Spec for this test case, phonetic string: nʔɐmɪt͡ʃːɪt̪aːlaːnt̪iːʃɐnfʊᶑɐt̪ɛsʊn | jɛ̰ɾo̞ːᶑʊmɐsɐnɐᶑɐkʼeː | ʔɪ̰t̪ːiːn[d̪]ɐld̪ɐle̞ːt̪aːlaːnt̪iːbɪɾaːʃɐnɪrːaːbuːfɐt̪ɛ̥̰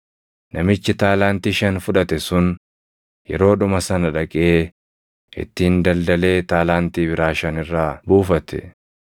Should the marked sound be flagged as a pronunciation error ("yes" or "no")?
no